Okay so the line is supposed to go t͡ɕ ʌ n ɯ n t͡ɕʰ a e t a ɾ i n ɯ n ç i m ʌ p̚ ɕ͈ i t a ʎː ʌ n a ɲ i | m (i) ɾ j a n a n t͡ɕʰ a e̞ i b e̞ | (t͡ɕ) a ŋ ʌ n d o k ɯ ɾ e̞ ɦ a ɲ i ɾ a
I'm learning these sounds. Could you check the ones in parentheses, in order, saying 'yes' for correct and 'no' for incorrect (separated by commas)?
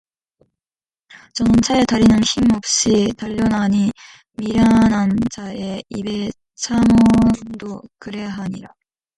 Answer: yes, no